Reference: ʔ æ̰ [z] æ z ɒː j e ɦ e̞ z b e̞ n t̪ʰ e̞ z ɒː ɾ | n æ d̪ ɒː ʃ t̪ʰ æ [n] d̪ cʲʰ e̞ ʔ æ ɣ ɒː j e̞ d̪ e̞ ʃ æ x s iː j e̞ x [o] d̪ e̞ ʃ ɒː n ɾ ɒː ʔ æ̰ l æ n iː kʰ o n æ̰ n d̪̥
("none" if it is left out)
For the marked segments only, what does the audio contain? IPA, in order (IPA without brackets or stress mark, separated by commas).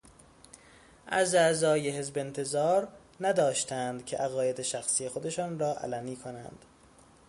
z, n, o